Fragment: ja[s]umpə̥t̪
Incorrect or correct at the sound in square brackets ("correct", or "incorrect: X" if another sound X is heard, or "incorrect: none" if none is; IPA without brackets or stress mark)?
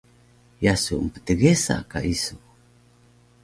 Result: correct